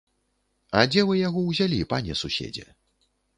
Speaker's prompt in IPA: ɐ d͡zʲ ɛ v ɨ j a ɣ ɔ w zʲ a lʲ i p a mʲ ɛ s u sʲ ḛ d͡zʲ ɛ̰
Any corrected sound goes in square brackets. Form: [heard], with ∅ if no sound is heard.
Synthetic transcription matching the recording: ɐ d͡zʲ ɛ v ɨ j a ɣ ɔ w zʲ a lʲ i p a [nʲ] ɛ s u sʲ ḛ d͡zʲ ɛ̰